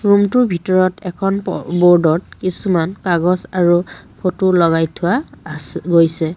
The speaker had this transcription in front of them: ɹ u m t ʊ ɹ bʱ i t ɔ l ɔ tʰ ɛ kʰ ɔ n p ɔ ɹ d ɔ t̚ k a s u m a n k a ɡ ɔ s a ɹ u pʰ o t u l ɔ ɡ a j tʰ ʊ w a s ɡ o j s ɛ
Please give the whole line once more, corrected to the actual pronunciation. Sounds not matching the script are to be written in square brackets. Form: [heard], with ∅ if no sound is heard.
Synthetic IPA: ɹ u m t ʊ ɹ bʱ i t ɔ [ɹ] ɔ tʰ ɛ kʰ ɔ n [b] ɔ ɹ d ɔ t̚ k [i] s u m a n k a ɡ ɔ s a ɹ u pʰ o t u l ɔ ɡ a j tʰ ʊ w a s ɡ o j s ɛ